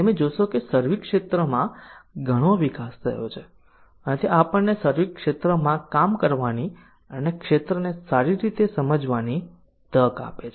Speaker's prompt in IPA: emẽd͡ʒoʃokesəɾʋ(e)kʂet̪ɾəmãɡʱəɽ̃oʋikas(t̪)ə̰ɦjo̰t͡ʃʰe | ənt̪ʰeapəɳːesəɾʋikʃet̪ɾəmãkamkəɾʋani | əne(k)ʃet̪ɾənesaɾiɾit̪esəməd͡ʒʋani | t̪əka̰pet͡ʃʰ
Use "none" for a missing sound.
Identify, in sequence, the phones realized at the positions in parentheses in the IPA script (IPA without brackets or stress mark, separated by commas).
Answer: i, t̪ʰ, k